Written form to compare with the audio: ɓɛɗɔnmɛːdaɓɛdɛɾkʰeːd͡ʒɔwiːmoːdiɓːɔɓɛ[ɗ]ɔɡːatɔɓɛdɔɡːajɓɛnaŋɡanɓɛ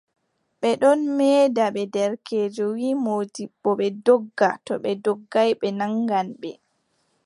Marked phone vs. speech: incorrect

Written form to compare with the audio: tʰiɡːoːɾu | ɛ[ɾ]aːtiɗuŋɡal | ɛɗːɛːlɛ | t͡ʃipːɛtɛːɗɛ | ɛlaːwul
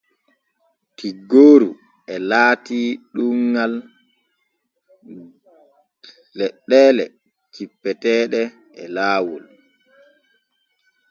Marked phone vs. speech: incorrect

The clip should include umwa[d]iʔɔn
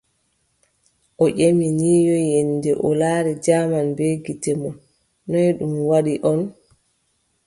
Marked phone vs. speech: incorrect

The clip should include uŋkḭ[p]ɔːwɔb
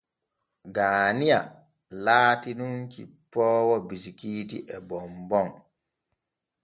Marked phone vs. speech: correct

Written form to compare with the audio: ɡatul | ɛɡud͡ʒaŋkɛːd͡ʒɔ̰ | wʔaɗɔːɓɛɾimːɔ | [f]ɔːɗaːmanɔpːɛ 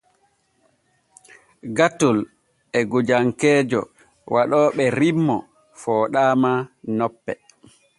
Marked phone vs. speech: correct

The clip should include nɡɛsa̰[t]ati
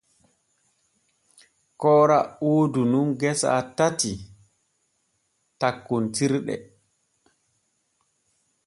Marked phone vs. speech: correct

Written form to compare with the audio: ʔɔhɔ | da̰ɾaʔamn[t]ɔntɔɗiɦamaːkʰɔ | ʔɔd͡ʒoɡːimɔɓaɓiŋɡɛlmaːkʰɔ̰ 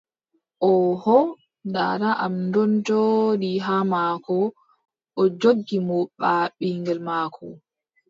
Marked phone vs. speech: incorrect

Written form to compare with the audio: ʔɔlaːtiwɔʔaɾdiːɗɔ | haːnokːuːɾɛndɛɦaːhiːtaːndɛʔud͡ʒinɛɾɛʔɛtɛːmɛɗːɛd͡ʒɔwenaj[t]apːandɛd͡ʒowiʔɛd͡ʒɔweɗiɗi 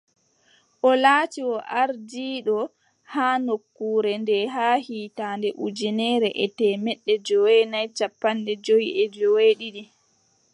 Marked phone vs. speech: incorrect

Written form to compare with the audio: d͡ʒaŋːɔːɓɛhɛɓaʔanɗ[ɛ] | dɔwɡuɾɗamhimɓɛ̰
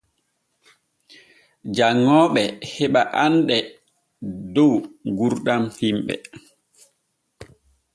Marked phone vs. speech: correct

